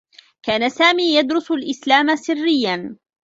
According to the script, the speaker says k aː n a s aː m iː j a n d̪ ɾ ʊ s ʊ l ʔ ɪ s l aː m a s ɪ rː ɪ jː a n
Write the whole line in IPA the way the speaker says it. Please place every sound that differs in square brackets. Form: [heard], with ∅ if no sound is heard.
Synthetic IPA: k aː n a s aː m iː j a [∅] d̪ ɾ ʊ s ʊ l ʔ ɪ s l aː m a s ɪ rː ɪ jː a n